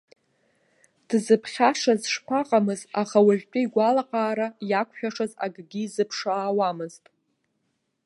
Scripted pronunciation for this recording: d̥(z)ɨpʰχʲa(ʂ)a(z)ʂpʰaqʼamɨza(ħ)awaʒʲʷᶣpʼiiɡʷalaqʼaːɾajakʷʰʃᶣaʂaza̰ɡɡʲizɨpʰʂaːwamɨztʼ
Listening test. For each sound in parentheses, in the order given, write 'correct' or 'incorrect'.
correct, correct, correct, incorrect

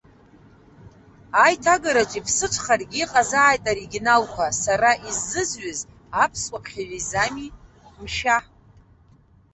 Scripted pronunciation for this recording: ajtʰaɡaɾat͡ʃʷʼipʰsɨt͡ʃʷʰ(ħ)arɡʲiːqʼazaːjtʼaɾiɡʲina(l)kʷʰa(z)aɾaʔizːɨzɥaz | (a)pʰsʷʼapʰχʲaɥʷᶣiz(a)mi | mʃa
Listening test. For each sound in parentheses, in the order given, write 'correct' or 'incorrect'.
incorrect, correct, incorrect, correct, correct

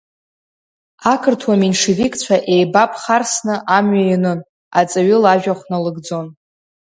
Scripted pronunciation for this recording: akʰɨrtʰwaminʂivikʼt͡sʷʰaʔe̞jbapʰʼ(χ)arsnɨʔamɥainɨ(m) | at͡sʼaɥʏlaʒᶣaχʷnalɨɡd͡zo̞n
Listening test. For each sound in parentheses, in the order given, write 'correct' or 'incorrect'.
correct, incorrect

